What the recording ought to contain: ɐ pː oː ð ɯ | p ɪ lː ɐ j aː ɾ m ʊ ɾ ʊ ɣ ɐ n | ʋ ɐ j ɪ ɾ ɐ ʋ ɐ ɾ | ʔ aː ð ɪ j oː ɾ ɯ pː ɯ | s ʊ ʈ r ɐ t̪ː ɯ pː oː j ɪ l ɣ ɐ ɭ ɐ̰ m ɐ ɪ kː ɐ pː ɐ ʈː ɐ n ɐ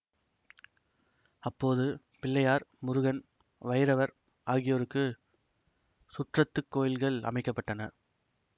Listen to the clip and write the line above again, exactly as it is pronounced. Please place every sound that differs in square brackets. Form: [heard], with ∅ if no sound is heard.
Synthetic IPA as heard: ɐ pː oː ð ɯ | p ɪ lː ɐ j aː ɾ m ʊ ɾ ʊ ɣ ɐ n | ʋ ɐ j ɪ ɾ ɐ ʋ ɐ ɾ | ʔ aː [ɣ] ɪ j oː ɾ ɯ [kː] ɯ | s ʊ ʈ r ɐ t̪ː ɯ [kː] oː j ɪ l ɣ ɐ ɭ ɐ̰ m ɐ ɪ kː ɐ pː ɐ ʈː ɐ n ɐ

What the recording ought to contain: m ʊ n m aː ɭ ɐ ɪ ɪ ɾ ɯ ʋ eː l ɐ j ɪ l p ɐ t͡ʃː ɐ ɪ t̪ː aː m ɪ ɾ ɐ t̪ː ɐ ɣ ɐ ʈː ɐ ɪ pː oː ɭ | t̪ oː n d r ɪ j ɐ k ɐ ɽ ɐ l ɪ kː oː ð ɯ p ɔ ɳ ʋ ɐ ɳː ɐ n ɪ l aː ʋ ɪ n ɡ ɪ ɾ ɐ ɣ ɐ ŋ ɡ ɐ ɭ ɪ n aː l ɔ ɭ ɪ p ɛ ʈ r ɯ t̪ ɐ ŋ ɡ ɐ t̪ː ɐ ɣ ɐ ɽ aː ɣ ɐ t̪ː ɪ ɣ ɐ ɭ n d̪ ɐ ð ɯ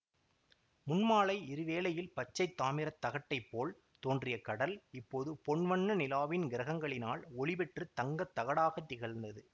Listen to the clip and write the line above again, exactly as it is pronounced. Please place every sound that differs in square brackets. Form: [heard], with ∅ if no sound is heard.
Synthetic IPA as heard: m ʊ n m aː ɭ ɐ ɪ ɪ ɾ ɯ ʋ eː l ɐ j ɪ l p ɐ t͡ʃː ɐ ɪ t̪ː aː m ɪ ɾ ɐ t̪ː ɐ ɣ ɐ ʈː ɐ ɪ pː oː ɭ | t̪ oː n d r ɪ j ɐ k ɐ ɽ ɐ l ɪ [pː] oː ð ɯ p ɔ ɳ ʋ ɐ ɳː ɐ n ɪ l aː ʋ ɪ n ɡ ɪ ɾ ɐ ɣ ɐ ŋ ɡ ɐ ɭ ɪ n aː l ɔ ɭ ɪ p ɛ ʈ r ɯ t̪ ɐ ŋ ɡ ɐ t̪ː ɐ ɣ ɐ ɽ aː ɣ ɐ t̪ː ɪ ɣ ɐ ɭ n d̪ ɐ ð ɯ

